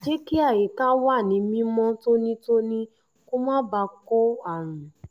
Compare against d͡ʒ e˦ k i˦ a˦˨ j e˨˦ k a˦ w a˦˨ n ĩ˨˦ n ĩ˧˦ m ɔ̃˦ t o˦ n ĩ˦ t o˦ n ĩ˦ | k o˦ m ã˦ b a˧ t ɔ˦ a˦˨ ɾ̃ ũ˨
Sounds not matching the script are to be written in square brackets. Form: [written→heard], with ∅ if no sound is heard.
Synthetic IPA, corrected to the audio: d͡ʒ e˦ k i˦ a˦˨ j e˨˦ k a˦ w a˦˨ n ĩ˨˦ [n→m] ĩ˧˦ m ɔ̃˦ t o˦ n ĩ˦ t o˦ n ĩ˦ | k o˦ m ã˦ b a˧ [t→k] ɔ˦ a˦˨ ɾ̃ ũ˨